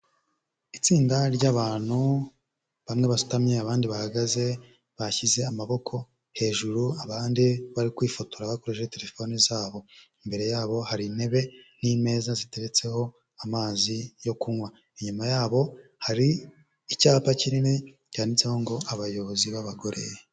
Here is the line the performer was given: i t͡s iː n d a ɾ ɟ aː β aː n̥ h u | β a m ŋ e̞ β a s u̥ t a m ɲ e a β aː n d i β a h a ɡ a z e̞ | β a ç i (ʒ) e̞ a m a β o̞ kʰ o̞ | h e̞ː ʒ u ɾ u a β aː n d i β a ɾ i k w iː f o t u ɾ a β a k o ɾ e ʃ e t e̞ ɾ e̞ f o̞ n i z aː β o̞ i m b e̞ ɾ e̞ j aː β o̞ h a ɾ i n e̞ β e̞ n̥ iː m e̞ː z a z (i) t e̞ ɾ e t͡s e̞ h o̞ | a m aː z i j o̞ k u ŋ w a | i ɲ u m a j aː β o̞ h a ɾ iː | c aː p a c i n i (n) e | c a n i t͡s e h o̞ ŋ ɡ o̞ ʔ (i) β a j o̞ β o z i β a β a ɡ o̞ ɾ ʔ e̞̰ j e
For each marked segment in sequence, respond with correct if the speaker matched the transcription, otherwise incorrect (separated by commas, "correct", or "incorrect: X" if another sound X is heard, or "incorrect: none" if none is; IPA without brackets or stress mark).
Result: incorrect: z, correct, correct, incorrect: a